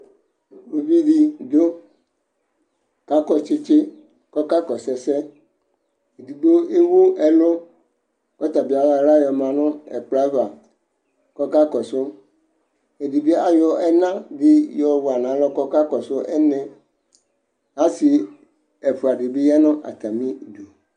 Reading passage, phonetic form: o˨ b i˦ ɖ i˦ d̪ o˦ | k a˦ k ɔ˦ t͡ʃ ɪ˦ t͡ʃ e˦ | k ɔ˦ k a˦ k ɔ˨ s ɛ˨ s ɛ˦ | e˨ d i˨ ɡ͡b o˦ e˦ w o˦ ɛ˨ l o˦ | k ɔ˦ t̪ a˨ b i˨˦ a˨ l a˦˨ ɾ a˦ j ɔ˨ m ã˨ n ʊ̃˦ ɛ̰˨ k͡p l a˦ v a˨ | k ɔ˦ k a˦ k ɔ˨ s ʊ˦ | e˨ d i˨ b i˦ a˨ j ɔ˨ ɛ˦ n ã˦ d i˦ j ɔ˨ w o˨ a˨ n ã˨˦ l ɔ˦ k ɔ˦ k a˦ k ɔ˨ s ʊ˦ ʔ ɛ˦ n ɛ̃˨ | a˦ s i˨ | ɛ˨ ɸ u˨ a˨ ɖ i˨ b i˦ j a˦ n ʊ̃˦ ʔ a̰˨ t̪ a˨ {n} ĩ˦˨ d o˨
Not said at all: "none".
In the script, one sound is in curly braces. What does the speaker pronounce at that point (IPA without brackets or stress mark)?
m